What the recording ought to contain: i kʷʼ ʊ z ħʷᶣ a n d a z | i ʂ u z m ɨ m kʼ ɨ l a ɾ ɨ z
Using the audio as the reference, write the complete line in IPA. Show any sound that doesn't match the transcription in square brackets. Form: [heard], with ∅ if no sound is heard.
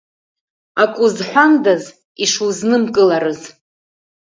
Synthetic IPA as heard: [a] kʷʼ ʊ z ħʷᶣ a n d a z | i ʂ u z [n] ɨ m kʼ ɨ l a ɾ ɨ z